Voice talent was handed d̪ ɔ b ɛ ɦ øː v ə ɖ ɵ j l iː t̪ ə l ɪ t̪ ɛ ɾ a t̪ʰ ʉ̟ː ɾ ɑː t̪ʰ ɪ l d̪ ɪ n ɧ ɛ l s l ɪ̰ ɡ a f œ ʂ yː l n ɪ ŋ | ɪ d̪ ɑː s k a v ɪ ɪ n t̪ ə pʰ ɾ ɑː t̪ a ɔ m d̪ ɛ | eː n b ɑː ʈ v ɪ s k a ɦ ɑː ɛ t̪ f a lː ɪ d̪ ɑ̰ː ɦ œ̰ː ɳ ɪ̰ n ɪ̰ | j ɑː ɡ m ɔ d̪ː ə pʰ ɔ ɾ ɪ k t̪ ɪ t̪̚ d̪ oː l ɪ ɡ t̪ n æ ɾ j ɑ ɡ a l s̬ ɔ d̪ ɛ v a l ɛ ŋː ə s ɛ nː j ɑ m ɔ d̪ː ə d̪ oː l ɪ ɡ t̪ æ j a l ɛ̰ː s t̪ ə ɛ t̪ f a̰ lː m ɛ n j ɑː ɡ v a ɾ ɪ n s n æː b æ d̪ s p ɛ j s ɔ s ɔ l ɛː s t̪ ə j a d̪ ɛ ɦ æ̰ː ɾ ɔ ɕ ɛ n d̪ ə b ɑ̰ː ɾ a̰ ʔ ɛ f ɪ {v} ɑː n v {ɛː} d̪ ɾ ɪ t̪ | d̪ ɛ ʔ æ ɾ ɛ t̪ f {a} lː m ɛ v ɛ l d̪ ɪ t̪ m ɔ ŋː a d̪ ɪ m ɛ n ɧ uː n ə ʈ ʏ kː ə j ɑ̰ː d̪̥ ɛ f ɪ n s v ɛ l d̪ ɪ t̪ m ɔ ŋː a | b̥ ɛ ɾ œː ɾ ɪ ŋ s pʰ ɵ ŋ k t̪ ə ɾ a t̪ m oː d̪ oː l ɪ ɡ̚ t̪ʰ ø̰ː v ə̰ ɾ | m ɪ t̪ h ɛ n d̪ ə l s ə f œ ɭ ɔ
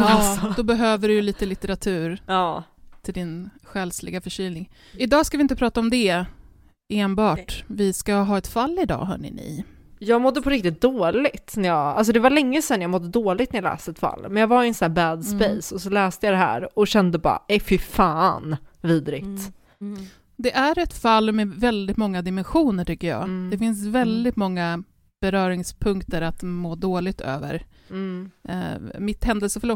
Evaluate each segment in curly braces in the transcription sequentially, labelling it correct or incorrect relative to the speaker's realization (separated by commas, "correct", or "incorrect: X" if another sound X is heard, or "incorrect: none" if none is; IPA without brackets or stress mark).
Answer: incorrect: f, incorrect: iː, correct